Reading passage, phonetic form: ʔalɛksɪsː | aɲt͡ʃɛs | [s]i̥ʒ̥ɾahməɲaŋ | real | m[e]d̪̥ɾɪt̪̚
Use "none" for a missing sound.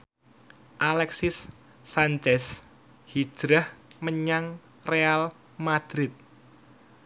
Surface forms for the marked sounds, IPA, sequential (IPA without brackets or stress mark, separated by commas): h, a